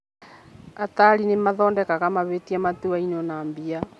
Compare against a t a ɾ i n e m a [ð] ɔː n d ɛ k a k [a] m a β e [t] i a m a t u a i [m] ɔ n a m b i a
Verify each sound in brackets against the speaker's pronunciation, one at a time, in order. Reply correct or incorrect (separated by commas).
correct, correct, correct, incorrect